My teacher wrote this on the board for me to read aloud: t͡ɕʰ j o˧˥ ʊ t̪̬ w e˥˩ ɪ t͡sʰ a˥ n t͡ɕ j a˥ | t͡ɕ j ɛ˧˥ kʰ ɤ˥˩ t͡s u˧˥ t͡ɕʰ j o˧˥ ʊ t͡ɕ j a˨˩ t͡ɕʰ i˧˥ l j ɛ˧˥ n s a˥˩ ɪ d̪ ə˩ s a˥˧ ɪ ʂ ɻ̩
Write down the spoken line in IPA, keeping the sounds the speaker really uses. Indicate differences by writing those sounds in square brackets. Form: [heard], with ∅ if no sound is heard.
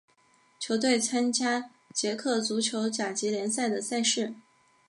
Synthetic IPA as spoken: t͡ɕʰ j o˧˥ ʊ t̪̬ w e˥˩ ɪ t͡sʰ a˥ n t͡ɕ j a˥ | t͡ɕ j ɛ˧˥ kʰ ɤ˥˩ t͡s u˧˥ t͡ɕʰ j o˧˥ ʊ t͡ɕ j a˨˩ [t͡ɕ] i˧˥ l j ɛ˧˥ n s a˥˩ ɪ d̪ ə˩ s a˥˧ ɪ ʂ ɻ̩